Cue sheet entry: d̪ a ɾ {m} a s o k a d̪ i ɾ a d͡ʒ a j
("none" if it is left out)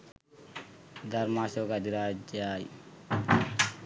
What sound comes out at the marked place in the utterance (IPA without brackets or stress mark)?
m